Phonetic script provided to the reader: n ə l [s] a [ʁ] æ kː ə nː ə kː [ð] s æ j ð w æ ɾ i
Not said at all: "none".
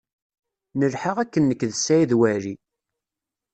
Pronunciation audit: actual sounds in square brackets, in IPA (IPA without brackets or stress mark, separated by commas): ħ, ʁ, ð